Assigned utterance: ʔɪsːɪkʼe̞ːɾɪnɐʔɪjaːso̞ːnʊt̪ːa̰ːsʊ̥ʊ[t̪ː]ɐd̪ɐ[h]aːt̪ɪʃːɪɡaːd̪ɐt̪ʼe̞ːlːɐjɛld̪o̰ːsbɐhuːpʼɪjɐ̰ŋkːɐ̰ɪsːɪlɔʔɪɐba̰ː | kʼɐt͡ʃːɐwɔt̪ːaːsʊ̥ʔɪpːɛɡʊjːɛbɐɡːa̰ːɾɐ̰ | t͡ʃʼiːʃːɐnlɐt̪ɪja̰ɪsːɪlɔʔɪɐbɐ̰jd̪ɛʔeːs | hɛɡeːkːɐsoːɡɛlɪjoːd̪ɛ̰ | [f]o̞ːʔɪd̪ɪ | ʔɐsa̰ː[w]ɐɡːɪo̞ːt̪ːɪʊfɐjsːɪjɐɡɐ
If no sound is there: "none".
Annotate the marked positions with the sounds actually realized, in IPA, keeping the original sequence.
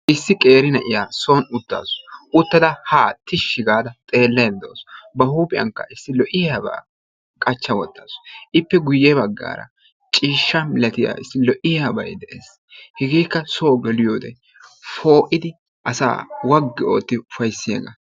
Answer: t̪ː, h, f, w

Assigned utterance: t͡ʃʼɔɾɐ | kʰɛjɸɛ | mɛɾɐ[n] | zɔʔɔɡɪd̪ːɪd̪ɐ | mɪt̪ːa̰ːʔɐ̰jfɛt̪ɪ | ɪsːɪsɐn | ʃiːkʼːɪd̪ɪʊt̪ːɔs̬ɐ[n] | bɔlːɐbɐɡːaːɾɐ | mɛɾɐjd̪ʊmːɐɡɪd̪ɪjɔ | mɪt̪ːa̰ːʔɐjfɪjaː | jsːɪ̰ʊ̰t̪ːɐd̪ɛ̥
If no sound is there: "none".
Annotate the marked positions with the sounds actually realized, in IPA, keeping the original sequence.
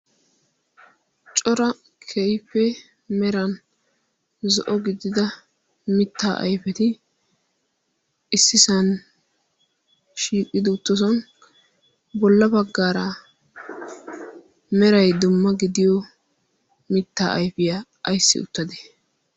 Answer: n, n

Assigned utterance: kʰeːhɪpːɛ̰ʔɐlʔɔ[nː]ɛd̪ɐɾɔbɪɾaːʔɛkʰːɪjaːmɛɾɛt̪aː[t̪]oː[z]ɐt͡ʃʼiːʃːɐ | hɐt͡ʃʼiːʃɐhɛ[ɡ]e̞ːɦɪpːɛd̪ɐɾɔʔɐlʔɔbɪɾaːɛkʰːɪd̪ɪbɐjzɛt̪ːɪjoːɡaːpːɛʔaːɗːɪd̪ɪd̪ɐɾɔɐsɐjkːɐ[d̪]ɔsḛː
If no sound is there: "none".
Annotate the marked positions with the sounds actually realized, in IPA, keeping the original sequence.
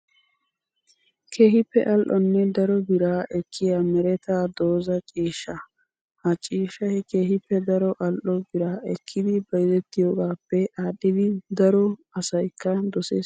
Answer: nː, d̪, z, k, d̪

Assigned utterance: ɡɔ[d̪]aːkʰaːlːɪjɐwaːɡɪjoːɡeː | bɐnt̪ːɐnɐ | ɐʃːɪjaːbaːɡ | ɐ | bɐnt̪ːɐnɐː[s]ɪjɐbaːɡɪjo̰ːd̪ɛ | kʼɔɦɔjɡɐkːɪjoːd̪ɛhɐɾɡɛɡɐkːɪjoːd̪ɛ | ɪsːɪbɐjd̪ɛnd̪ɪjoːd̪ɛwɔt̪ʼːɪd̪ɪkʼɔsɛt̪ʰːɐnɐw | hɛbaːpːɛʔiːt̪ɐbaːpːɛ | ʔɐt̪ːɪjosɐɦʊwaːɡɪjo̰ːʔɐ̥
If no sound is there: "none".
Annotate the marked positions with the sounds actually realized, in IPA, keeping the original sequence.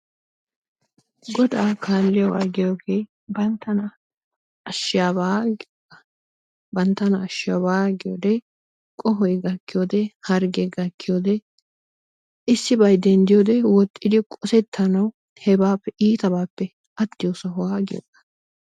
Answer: d̪, ʃ

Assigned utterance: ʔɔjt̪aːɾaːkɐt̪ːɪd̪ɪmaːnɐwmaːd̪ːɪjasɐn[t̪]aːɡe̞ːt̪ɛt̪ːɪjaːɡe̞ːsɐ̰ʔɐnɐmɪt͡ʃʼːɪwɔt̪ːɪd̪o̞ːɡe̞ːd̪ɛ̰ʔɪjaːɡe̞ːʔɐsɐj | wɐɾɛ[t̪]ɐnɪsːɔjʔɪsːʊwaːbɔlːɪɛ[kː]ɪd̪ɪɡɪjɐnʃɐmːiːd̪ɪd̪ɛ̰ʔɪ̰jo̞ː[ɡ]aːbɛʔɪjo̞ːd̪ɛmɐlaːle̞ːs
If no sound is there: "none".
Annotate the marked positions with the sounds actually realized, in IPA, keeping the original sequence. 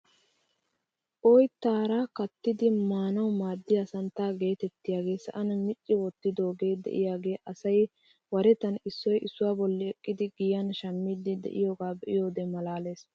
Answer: t̪, t̪, kʼː, ɡ

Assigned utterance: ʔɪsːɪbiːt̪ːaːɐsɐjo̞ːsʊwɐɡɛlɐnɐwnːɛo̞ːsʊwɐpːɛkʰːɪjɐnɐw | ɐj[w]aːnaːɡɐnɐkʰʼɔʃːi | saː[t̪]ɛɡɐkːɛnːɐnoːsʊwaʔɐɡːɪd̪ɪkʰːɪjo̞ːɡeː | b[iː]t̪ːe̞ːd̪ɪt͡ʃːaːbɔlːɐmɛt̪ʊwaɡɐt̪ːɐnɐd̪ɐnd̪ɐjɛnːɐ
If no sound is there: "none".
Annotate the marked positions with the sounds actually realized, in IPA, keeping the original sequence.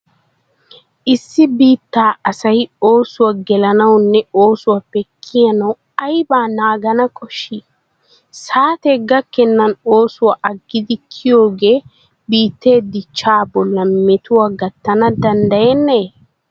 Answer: b, t̪, iː

